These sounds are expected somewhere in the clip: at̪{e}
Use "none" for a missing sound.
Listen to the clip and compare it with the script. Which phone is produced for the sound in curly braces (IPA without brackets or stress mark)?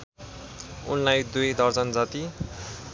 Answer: i